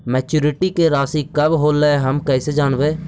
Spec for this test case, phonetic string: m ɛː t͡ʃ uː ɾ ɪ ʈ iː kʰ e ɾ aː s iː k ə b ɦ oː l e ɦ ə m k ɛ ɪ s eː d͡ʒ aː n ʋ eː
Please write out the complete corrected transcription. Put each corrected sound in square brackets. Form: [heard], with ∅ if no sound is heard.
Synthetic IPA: m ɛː t͡ʃ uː ɾ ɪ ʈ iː [k] e ɾ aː s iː k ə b ɦ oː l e ɦ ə m k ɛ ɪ s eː d͡ʒ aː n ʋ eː